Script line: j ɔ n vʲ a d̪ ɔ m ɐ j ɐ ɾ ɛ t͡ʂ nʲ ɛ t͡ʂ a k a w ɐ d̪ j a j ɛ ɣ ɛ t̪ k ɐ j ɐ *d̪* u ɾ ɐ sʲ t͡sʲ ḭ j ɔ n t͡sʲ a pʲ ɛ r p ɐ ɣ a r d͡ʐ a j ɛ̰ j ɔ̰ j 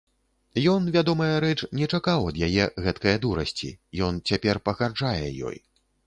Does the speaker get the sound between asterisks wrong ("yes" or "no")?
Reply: no